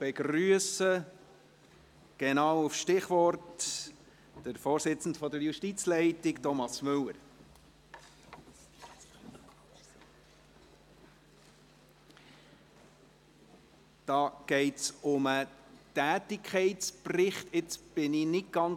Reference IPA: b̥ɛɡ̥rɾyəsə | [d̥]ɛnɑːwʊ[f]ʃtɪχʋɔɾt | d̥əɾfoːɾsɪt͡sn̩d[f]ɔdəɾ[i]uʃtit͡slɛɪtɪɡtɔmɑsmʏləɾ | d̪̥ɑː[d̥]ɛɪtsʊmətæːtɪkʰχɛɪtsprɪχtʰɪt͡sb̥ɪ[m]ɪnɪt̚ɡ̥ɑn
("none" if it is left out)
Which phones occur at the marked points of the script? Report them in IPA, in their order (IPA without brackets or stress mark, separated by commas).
ɡ̥, f, f, j, ɡ̥, n